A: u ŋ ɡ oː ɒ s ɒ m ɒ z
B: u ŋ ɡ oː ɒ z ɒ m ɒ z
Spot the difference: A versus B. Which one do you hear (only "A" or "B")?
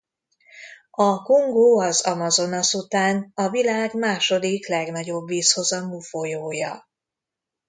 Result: B